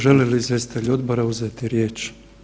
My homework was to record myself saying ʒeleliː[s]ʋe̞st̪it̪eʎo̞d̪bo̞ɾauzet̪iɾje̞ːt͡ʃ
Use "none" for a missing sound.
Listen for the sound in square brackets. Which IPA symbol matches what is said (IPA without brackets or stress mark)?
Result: z